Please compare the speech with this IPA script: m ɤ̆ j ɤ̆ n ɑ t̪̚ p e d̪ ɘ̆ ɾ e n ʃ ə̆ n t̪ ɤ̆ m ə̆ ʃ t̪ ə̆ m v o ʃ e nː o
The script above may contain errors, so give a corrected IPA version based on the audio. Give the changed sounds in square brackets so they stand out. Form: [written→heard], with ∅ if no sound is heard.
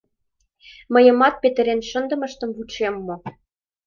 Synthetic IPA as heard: m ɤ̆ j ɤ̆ [n→m] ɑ t̪̚ p e [d̪→t̪] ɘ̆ ɾ e n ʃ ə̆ n [t̪→d̪] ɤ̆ m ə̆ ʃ t̪ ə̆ m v [o→u] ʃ e [nː→mː] o